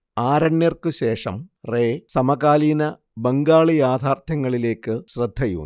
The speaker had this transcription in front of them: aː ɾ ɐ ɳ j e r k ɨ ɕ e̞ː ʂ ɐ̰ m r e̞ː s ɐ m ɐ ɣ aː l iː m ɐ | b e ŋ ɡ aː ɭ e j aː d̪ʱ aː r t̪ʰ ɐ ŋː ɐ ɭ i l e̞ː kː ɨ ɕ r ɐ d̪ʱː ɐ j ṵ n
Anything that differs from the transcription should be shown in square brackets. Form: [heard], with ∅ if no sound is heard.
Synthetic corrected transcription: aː ɾ ɐ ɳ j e r k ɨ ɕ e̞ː ʂ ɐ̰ m r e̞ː s ɐ m ɐ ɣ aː l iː [n] ɐ | b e ŋ ɡ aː ɭ [i] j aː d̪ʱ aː r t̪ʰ ɐ ŋː ɐ ɭ i l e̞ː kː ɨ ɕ r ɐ d̪ʱː ɐ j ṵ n